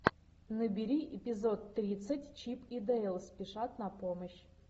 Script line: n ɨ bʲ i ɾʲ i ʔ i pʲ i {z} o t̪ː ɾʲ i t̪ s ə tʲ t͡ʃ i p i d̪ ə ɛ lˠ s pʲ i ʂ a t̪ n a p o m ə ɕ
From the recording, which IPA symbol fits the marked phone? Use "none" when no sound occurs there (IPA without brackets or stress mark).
z